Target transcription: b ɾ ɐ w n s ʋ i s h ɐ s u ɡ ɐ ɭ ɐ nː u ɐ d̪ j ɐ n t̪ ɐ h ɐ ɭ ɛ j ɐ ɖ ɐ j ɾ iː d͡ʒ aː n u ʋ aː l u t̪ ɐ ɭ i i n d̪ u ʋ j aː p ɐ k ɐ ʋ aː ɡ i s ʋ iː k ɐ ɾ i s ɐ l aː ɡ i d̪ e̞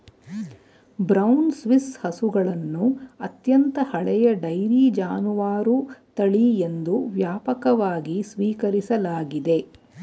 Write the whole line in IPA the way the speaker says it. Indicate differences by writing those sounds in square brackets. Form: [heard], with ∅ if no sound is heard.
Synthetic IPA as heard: b ɾ ɐ w n s ʋ i s h ɐ s u ɡ ɐ ɭ ɐ nː u ɐ [t̪] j ɐ n t̪ ɐ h ɐ ɭ ɛ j ɐ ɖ ɐ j ɾ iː d͡ʒ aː n u ʋ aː [ɾ] u t̪ ɐ ɭ i [e] n d̪ u ʋ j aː p ɐ k ɐ ʋ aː ɡ i s ʋ iː k ɐ ɾ i s ɐ l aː ɡ i d̪ e̞